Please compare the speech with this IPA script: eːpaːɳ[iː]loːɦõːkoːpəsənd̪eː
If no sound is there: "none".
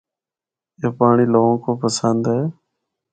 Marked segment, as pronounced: iː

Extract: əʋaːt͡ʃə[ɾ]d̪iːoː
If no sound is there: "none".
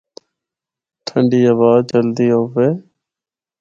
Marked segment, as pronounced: l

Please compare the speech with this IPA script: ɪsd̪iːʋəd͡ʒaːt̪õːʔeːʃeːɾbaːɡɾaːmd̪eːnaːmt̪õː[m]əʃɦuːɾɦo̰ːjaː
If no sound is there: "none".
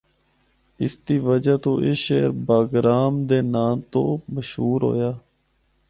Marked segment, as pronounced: m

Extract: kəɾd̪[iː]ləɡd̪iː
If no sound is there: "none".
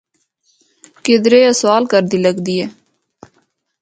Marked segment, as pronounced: iː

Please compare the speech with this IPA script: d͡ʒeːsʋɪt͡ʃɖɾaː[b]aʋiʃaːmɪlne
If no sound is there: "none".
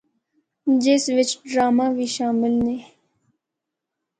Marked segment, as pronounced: m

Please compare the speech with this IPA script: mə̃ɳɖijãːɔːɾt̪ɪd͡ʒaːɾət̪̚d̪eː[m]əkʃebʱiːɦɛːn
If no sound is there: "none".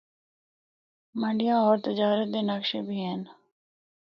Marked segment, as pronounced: n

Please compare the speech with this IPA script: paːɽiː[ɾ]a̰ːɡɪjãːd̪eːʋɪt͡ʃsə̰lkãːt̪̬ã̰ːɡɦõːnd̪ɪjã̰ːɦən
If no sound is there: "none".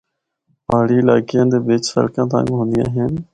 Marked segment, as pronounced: l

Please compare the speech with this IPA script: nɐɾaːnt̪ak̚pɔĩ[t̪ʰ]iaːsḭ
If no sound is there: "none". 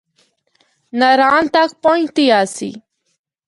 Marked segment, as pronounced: t̪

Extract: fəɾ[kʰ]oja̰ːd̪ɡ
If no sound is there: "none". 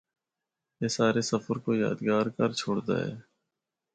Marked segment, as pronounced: k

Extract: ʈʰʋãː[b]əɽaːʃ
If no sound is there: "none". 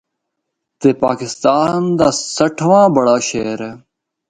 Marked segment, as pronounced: b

